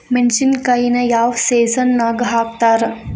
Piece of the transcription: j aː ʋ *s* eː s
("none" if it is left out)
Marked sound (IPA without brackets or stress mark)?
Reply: s